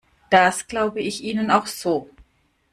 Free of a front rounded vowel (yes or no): yes